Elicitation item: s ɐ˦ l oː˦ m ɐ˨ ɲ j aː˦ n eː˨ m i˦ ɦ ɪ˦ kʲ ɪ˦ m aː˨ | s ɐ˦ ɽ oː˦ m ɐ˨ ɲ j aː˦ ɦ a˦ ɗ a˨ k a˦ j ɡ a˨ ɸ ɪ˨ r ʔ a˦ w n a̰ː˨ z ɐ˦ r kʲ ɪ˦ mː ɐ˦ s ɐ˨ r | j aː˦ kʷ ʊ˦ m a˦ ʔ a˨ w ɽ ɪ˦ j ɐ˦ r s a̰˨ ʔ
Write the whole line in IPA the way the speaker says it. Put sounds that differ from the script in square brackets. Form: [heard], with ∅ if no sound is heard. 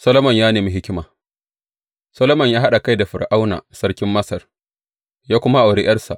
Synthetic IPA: s ɐ˦ l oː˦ m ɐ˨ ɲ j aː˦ n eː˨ m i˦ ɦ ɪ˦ kʲ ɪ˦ m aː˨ | s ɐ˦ [l] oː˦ m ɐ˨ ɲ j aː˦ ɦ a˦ ɗ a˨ k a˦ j [d] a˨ ɸ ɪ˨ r ʔ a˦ w n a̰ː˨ [s] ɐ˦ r kʲ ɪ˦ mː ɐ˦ s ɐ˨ r | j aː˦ kʷ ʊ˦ m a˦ ʔ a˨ w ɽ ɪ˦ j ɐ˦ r s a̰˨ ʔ